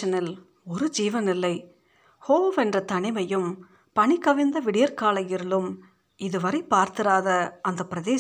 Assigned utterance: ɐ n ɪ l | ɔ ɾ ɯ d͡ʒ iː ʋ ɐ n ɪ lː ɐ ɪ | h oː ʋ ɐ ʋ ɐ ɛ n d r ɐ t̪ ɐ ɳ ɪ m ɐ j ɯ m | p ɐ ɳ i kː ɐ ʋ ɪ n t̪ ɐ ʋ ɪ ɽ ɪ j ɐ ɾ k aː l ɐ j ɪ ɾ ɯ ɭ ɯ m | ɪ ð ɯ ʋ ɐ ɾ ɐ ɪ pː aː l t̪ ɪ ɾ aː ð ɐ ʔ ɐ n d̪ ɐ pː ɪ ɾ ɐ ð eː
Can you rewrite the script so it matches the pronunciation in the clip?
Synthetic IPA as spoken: ɐ n ɪ l | ɔ ɾ ɯ d͡ʒ iː ʋ ɐ n ɪ lː ɐ ɪ | h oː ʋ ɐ ʋ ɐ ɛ n d r ɐ t̪ ɐ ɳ ɪ m ɐ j ɯ m | p ɐ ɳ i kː ɐ ʋ ɪ n d̪ ɐ ʋ ɪ ɽ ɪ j ɐ ɾ k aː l ɐ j ɪ ɾ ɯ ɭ ɯ m | ɪ ð ɯ ʋ ɐ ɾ ɐ ɪ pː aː ɾ t̪ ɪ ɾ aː ð ɐ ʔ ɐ n d̪ ɐ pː ɪ ɾ ɐ ð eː